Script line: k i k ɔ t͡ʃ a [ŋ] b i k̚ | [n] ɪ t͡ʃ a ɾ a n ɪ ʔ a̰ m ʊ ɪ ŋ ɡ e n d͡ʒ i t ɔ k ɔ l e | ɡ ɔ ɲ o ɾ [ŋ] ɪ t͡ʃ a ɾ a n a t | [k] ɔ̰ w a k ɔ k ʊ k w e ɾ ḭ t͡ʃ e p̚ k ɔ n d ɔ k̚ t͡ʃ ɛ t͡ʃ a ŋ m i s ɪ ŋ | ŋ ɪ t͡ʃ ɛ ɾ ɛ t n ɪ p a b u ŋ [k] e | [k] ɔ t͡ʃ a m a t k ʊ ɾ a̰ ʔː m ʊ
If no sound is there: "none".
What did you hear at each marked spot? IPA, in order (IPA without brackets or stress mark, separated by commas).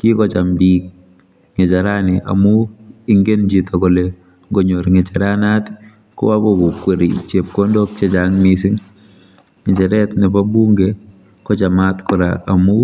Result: m, ŋ, ŋ, k, ɡ, k